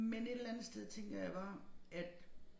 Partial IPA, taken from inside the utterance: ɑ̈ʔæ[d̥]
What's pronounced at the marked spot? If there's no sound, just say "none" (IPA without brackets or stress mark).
d̥